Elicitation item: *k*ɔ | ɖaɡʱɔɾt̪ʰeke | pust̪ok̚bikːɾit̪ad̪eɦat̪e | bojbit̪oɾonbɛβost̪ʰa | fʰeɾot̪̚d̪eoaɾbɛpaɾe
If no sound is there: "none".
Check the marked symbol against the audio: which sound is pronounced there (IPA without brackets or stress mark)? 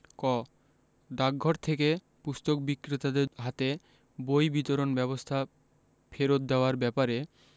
k